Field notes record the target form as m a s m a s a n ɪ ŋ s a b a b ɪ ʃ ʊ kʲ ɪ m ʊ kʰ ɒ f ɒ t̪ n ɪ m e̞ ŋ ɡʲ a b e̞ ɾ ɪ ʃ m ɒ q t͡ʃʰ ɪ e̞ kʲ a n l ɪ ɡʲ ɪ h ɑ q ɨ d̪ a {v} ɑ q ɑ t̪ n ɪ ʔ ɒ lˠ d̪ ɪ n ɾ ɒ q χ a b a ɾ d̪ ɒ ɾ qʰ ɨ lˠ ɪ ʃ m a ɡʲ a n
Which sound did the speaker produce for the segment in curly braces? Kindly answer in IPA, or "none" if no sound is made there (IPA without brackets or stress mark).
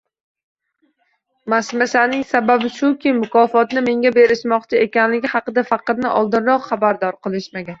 f